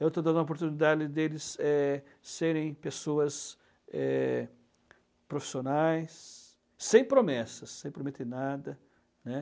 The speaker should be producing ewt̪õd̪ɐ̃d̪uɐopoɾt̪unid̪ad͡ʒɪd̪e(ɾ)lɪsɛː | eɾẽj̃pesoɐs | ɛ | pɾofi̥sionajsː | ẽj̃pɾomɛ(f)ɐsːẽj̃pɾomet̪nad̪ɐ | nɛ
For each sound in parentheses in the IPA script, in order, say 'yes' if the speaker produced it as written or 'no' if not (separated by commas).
no, no